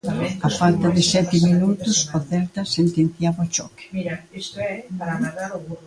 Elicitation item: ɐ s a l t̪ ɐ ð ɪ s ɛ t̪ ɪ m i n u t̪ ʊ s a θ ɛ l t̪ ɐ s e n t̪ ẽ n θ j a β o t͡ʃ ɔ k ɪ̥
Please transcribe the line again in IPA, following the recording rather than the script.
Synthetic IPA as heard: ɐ f a l t̪ ɐ ð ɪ s ɛ t̪ ɪ m i n u t̪ ʊ s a θ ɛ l t̪ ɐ s e n t̪ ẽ n θ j a β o t͡ʃ ɔ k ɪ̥